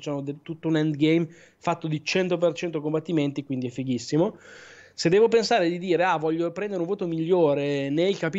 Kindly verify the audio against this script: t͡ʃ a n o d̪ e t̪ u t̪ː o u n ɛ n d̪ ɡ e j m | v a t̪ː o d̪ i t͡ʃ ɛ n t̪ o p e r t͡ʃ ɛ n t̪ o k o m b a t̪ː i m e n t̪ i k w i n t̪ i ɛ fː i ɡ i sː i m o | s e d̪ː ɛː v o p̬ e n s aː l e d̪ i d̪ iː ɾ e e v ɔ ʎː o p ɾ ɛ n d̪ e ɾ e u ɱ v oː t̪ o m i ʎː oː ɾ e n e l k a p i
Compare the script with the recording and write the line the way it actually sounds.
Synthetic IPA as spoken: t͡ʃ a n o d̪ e t̪ u t̪ː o u n ɛ n d̪ ɡ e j m | f a t̪ː o d̪ i t͡ʃ ɛ n t̪ o p e r t͡ʃ ɛ n t̪ o k o m b a t̪ː i m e n t̪ i k w i n d̪ i ɛ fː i ɡ i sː i m o | s e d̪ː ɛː v o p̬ e n s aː ɾ e d̪ i d̪ iː ɾ e a v ɔ ʎː o p ɾ ɛ n d̪ e ɾ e u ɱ v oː t̪ o m i ʎː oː ɾ e n e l k a p i